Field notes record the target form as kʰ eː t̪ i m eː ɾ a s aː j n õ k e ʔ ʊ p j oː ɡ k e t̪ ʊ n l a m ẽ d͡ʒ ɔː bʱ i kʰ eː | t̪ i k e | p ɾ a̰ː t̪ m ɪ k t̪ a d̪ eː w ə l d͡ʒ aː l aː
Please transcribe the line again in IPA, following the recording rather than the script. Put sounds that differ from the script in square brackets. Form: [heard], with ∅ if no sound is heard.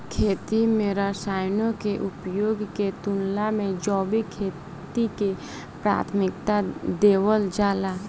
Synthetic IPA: kʰ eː t̪ i m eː ɾ a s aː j n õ k e ʔ ʊ p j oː ɡ k e t̪ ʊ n l a m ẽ d͡ʒ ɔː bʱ i kʰ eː | t̪ i k e | p ɾ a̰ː [t̪ʰ] m ɪ k t̪ a d̪ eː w ə l d͡ʒ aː l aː